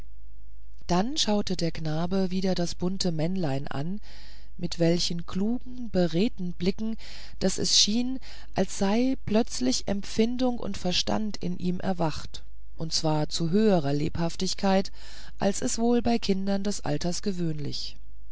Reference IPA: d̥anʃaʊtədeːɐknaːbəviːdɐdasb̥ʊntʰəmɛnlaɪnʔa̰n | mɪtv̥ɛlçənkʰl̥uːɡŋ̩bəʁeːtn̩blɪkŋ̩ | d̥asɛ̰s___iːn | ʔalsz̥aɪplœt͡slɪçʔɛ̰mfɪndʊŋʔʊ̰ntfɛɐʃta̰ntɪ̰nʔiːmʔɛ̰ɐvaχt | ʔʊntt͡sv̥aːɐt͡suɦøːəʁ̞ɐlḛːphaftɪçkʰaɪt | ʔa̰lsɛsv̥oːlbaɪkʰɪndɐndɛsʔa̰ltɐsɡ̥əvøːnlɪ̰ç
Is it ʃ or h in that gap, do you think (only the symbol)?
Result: ʃ